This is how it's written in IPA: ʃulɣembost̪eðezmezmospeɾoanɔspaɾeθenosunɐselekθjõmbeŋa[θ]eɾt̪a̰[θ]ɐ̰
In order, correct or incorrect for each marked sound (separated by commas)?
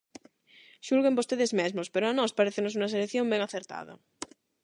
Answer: correct, incorrect